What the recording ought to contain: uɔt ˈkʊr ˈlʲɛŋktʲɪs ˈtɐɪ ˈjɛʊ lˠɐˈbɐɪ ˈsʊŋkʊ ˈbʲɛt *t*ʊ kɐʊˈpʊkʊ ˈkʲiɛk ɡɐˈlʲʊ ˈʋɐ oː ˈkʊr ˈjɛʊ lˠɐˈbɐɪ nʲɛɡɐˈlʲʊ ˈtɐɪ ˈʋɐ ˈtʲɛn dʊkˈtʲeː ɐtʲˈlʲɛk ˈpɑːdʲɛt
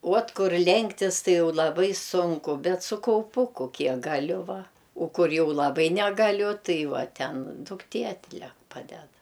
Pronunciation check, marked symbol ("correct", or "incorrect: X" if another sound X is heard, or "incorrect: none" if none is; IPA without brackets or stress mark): incorrect: s